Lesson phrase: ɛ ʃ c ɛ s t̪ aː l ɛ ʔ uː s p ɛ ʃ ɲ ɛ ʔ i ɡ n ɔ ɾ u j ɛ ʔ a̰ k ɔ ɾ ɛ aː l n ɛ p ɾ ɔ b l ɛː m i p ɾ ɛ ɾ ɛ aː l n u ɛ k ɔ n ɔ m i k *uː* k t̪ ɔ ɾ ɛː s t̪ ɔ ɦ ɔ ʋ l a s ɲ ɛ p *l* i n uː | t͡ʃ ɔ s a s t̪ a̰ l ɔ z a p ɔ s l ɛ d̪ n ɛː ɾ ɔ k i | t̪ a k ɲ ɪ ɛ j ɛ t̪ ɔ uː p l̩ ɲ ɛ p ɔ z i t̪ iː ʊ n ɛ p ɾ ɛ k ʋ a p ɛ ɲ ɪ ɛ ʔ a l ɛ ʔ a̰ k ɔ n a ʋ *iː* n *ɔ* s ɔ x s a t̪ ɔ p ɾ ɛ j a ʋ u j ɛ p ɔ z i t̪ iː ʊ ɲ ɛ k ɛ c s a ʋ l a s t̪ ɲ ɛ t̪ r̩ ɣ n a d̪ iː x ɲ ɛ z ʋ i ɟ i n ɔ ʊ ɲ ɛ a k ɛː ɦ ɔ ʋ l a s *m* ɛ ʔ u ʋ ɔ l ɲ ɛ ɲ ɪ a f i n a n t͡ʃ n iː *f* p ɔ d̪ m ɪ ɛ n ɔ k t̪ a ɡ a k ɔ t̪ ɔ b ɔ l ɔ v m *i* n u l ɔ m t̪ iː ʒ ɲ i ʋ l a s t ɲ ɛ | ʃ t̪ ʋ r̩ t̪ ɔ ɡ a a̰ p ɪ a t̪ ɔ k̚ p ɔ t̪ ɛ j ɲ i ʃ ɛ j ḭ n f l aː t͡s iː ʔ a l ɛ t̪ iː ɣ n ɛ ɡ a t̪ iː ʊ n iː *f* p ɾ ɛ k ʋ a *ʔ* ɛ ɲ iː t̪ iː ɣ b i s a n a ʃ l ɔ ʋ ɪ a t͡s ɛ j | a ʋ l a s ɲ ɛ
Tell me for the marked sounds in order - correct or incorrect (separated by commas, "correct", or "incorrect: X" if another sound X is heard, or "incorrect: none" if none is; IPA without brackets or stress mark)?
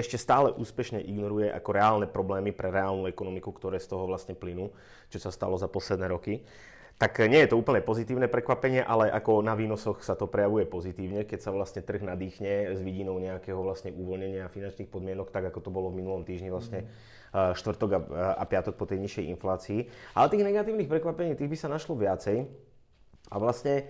incorrect: u, correct, correct, correct, incorrect: ɲ, incorrect: x, correct, incorrect: x, incorrect: p